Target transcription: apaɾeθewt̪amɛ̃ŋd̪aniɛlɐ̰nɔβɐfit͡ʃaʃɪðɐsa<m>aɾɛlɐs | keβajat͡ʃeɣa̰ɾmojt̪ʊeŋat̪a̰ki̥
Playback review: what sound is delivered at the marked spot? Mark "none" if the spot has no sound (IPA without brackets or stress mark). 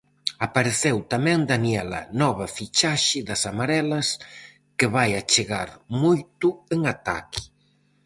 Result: m